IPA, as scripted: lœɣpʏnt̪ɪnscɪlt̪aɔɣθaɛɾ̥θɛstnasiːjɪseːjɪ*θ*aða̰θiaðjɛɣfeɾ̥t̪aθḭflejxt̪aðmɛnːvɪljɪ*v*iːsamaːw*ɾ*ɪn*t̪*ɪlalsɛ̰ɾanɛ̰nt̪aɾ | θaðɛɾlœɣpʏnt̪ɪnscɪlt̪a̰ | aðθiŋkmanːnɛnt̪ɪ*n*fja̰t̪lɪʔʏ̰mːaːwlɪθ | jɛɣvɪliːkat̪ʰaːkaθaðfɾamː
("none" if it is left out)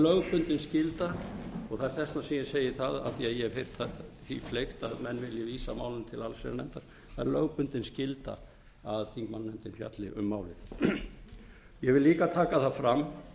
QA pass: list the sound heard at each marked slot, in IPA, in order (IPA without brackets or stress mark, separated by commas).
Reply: θ, v, l, t̪ʰ, n